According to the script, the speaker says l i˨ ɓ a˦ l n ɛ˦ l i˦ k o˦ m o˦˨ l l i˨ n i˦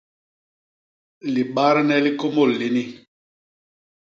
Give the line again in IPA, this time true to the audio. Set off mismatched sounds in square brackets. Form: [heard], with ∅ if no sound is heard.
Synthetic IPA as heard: l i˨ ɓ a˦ [ɾ] n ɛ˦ l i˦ k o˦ m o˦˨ l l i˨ n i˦